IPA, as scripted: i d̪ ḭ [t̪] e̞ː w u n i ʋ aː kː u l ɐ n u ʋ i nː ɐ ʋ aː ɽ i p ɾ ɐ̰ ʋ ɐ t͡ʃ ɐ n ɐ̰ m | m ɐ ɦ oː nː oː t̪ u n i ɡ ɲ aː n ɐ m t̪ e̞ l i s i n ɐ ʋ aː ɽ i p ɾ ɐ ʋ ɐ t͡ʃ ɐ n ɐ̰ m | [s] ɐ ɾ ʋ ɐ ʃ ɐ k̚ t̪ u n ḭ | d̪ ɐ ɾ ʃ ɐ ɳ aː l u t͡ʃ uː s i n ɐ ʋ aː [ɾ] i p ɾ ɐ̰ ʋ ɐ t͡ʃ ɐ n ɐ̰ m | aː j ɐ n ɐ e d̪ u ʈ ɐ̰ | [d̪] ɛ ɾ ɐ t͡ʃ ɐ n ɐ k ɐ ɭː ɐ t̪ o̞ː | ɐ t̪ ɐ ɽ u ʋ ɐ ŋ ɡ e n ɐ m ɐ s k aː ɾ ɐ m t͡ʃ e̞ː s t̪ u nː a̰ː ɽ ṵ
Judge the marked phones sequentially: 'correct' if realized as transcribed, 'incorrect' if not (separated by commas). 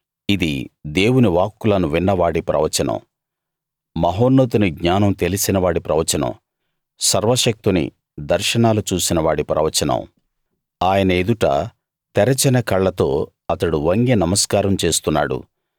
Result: incorrect, correct, incorrect, incorrect